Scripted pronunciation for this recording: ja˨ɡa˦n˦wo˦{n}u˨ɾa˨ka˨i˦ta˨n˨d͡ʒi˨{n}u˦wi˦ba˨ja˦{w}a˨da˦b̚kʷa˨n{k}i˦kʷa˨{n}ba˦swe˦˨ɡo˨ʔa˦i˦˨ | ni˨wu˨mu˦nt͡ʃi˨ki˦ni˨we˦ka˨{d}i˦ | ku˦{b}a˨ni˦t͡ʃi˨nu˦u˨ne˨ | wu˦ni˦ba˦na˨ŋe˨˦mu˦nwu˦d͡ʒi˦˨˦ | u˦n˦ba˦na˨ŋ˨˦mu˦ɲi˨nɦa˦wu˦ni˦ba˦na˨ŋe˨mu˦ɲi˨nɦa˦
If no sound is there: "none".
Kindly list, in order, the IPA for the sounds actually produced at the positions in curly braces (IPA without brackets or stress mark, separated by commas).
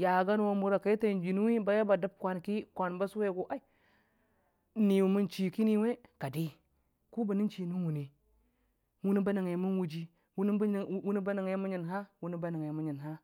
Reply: m, n, b, k, n, d, b